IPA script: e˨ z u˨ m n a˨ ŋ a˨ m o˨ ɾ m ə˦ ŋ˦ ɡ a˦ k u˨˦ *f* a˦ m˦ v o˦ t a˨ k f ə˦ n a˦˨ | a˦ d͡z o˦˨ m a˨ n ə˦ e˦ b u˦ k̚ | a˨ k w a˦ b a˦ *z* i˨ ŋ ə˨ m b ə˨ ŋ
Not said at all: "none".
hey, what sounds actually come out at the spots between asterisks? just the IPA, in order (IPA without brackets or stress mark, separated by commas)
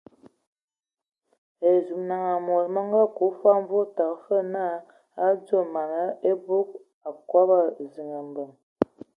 f, z